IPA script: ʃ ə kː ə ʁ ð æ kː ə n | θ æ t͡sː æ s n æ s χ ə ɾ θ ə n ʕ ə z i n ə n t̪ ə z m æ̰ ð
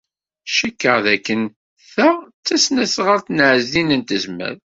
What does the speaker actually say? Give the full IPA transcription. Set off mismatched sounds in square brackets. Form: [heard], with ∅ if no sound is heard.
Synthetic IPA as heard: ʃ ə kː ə ʁ ð æ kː ə n | θ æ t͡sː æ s n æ s [ʁ] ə ɾ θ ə n ʕ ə z i n ə n t̪ ə z m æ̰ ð